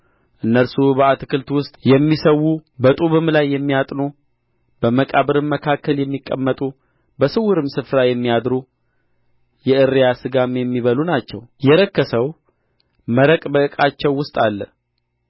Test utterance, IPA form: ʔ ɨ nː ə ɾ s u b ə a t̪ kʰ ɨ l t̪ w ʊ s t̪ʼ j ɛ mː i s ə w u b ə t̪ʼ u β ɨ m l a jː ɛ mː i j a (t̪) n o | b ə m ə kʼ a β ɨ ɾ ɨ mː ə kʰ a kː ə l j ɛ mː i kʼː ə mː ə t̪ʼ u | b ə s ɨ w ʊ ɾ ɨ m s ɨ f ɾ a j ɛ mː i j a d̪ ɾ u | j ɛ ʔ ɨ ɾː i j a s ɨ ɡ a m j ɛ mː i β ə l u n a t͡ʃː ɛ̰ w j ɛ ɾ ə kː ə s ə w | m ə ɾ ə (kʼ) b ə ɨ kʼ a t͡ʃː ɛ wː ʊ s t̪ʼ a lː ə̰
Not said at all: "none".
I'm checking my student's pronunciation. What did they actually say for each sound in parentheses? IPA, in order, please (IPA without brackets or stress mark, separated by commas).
t̪ʼ, kʼ